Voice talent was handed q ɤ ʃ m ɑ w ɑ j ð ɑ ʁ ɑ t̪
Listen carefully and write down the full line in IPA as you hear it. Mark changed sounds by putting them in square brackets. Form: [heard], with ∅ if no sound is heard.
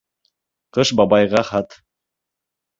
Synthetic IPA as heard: q ɤ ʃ [b] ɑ [b] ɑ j [ʁ] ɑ [χ] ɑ t̪

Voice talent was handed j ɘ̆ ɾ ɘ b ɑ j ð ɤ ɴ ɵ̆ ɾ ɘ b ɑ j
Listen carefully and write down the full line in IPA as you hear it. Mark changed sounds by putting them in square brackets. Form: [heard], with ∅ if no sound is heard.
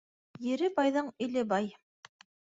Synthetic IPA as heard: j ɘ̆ ɾ ɘ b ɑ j ð ɤ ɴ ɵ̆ [l] ɘ b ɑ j

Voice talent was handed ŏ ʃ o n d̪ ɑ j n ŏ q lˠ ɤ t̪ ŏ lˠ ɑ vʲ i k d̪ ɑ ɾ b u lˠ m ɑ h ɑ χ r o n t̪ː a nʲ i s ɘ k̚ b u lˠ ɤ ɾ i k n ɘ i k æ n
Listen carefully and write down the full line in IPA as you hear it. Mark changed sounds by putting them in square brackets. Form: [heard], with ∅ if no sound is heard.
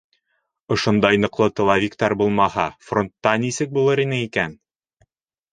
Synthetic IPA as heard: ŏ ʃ o n d̪ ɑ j n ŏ q lˠ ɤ t̪ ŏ lˠ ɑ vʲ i k [t̪] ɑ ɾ b u lˠ m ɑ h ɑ [f] r o n t̪ː [ɑ] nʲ i s ɘ k̚ b u lˠ ɤ ɾ i [∅] n ɘ i k æ n

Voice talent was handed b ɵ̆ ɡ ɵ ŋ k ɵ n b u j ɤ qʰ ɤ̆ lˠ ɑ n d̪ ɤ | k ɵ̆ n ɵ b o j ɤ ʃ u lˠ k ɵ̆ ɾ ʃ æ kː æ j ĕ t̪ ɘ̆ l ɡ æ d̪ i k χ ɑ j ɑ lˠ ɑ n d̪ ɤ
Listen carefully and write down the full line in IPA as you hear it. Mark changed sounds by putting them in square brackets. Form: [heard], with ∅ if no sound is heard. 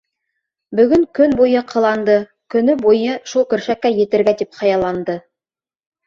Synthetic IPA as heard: b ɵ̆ ɡ ɵ ŋ k ɵ n b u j ɤ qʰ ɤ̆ lˠ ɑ n d̪ ɤ | k ɵ̆ n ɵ b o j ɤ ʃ u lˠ k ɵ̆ ɾ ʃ æ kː æ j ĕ t̪ ɘ̆ [ɾ] ɡ æ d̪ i [p] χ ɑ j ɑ lˠ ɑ n d̪ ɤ

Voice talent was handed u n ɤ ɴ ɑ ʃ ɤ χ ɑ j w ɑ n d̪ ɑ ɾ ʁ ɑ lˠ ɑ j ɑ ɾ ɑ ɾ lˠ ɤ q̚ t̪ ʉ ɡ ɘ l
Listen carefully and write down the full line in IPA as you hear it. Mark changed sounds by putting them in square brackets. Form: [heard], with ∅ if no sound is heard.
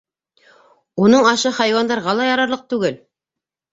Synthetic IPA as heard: u n ɤ ɴ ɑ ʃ ɤ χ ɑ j w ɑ n d̪ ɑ ɾ ʁ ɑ lˠ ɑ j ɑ ɾ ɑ ɾ lˠ ɤ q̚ t̪ ʉ ɡ ɘ l

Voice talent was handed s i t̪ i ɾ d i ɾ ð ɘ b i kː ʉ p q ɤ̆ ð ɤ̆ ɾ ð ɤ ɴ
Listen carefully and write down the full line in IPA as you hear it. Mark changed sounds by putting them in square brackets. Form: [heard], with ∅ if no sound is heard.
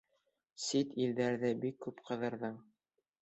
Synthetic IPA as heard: s i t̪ i [l] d [æ] ɾ ð ɘ b i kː ʉ p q ɤ̆ ð ɤ̆ ɾ ð ɤ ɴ

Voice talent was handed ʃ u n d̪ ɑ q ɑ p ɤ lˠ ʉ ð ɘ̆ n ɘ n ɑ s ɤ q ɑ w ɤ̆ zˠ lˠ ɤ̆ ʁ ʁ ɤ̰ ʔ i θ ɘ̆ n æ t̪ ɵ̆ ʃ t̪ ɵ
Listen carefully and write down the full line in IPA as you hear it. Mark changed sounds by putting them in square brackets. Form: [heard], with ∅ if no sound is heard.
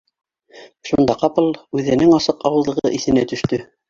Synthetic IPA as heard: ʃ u n d̪ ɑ q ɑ p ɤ lˠ ʉ ð ɘ̆ n ɘ [ŋ] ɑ s ɤ q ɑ w ɤ̆ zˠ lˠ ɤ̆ ʁ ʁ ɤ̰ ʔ i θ ɘ̆ n æ t̪ ɵ̆ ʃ t̪ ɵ

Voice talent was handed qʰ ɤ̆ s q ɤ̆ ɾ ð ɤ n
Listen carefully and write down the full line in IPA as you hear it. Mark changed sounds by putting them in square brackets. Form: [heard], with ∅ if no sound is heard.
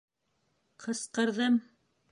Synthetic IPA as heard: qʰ ɤ̆ s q ɤ̆ ɾ ð ɤ [m]

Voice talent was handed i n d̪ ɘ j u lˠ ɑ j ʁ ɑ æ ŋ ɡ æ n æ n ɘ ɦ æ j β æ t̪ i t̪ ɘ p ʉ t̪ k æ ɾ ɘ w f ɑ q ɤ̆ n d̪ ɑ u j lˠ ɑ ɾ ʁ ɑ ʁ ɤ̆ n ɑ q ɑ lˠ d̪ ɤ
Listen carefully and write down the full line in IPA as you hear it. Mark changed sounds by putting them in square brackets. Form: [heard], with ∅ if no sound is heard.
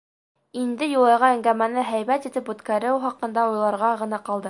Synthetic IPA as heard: i n d̪ ɘ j u lˠ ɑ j ʁ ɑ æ ŋ ɡ æ [m] æ n ɘ ɦ æ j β æ t̪ i t̪ ɘ p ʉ t̪ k æ ɾ ɘ w [χ] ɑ q ɤ̆ n d̪ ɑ u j lˠ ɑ ɾ ʁ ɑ ʁ ɤ̆ n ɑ q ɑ lˠ d̪ ɤ

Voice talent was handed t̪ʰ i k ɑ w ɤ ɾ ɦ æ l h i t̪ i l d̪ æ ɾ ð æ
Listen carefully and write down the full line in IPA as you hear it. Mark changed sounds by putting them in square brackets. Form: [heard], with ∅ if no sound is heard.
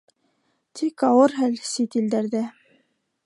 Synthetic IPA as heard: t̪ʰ i k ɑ w ɤ ɾ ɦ æ l [s] i t̪ i l d̪ æ ɾ ð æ

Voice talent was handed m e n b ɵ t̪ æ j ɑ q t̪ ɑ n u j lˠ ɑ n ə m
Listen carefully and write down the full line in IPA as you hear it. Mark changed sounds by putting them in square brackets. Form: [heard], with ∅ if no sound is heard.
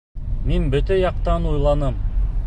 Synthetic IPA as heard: m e n b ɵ t̪ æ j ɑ q t̪ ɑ n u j lˠ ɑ n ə m

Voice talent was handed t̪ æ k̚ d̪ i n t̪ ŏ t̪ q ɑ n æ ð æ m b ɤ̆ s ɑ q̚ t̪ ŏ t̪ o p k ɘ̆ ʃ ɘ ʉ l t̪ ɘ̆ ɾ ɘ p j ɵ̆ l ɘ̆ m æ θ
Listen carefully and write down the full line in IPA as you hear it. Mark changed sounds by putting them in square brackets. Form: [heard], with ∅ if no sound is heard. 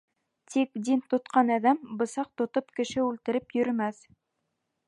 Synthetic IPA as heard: t̪ [i] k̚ d̪ i n t̪ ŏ t̪ q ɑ n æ ð æ m b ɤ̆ s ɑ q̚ t̪ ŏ t̪ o p k ɘ̆ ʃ ɘ ʉ l t̪ ɘ̆ ɾ ɘ p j ɵ̆ [ɾ] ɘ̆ m æ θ

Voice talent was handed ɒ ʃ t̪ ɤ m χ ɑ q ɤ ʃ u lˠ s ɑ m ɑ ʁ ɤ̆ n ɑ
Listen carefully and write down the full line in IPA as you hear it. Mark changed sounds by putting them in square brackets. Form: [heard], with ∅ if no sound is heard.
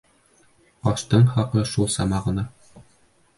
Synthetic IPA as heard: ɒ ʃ t̪ ɤ [ɴ] χ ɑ q ɤ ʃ u lˠ s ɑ m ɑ ʁ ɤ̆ n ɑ

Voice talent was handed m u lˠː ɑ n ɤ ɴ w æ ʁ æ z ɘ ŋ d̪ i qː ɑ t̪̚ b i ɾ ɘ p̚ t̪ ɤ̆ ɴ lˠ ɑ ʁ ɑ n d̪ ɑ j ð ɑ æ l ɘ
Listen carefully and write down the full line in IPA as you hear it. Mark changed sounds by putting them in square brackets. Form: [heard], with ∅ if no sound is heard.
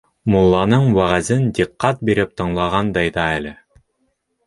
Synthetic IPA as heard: m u lˠː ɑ n ɤ ɴ w æ ʁ æ z ɘ [n] d̪ i qː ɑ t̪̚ b i ɾ ɘ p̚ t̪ ɤ̆ ɴ lˠ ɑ ʁ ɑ n d̪ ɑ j ð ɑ æ l ɘ

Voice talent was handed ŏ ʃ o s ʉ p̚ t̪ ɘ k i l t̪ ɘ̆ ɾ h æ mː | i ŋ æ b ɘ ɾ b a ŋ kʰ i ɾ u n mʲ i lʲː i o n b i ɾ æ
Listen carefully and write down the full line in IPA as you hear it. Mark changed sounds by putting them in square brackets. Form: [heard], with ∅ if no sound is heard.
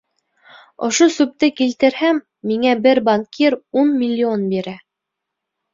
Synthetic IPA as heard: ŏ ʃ o s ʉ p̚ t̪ ɘ k i l t̪ ɘ̆ ɾ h æ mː | i ŋ æ b ɘ ɾ b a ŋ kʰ i ɾ u n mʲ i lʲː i o n b i ɾ æ

